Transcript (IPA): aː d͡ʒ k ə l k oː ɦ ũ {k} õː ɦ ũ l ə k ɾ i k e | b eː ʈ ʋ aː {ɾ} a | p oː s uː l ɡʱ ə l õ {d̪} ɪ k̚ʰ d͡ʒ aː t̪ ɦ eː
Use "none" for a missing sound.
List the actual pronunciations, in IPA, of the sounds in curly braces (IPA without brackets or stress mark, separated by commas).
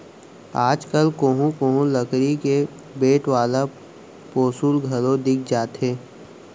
k, l, d̪